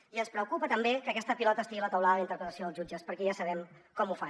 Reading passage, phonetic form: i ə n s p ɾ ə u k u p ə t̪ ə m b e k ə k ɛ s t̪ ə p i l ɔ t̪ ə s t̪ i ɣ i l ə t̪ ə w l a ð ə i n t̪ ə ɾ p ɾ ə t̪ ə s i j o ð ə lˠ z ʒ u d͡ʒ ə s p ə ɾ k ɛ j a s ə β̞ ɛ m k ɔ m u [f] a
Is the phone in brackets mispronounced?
no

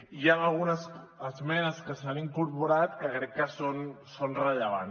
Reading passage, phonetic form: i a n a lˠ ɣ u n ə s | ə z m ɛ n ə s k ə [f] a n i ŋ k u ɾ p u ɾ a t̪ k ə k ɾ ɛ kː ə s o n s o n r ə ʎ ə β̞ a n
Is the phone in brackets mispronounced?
yes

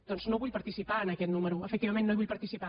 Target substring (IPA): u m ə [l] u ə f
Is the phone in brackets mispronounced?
yes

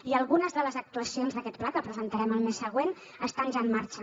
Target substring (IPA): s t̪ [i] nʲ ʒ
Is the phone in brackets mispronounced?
yes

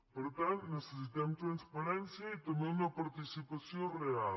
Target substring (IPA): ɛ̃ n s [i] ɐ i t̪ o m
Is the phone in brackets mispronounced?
yes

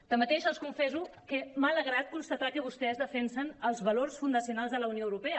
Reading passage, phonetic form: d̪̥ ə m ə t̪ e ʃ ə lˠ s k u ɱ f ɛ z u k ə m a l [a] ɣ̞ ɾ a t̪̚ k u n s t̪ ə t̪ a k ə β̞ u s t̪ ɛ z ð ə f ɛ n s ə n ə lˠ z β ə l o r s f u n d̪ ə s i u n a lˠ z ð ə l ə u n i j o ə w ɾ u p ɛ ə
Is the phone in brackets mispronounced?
yes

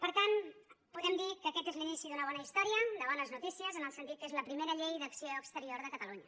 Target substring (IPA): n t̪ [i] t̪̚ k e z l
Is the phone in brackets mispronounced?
no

